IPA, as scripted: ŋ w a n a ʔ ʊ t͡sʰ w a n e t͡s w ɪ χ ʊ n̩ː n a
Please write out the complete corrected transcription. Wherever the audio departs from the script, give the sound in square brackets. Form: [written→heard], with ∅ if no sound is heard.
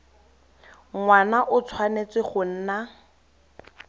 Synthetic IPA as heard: ŋ w a n a ʔ ʊ t͡sʰ w a n e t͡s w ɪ χ ʊ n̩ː n a